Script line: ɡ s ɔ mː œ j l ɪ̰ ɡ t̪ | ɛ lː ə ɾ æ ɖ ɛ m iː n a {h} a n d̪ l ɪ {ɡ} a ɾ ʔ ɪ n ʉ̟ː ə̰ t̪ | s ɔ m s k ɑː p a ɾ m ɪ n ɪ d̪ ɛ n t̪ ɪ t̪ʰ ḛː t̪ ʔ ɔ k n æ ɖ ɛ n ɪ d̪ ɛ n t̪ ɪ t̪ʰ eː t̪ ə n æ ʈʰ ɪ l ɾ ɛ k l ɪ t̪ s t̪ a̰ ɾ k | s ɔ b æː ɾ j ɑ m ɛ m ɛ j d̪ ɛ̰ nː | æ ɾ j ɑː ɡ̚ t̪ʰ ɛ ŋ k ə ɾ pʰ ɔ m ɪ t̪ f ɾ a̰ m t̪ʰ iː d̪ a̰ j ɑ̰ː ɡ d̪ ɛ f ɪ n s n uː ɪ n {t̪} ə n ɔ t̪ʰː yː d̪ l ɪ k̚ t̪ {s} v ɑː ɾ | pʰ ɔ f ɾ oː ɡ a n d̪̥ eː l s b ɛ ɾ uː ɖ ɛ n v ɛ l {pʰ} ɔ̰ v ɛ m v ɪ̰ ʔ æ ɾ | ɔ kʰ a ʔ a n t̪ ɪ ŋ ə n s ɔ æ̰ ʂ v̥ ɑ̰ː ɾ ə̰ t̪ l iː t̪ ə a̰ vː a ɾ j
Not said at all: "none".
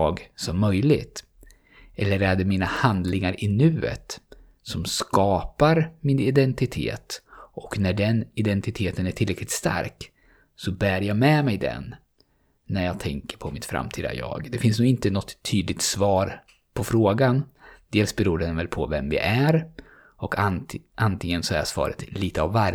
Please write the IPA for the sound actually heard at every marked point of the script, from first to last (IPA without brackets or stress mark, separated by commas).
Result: h, ŋ, t̪, s, pʰ